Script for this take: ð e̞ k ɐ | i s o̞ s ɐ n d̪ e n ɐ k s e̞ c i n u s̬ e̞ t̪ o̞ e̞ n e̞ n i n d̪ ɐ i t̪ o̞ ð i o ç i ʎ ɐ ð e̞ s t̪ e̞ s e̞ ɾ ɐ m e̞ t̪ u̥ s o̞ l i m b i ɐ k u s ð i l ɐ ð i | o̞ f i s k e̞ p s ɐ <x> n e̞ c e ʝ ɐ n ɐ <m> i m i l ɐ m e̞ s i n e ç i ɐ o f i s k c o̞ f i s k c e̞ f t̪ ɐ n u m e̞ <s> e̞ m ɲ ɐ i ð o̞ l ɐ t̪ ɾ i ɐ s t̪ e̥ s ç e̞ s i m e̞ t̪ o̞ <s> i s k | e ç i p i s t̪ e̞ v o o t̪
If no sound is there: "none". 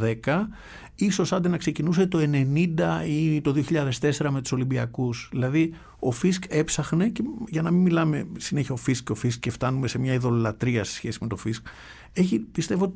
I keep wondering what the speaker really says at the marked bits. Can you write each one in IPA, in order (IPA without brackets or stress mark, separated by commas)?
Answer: x, m, s, f